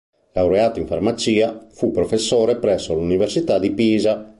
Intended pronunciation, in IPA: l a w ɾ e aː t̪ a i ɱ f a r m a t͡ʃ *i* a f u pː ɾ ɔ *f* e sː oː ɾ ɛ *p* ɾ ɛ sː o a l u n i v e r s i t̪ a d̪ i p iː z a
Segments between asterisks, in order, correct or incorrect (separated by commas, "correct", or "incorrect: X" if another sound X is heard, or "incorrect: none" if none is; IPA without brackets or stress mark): incorrect: iː, correct, correct